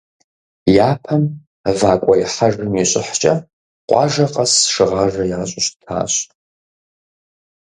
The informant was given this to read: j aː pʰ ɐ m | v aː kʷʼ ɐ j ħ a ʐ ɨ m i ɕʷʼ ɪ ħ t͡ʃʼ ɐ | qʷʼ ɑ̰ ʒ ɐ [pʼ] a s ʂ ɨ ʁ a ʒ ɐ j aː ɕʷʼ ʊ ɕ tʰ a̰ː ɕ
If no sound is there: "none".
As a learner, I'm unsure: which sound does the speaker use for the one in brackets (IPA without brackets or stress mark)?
qʼ